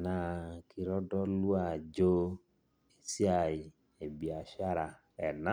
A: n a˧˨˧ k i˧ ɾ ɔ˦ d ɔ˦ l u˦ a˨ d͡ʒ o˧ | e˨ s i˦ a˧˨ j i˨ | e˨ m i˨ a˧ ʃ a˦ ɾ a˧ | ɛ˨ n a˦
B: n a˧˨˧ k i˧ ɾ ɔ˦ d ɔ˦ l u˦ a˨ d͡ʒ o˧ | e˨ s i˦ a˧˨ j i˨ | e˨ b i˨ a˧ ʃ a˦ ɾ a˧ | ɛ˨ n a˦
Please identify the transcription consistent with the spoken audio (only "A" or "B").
B